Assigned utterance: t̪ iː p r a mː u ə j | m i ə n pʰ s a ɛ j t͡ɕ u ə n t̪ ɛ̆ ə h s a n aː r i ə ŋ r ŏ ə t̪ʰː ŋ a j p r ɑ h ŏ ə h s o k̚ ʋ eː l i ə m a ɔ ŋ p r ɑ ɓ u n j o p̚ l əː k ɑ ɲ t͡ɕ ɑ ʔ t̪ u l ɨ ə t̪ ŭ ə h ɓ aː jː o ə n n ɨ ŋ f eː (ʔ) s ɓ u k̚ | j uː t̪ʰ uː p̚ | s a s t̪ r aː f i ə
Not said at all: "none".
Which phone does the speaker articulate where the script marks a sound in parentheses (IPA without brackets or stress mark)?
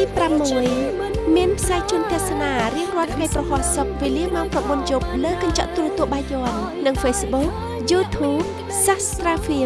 none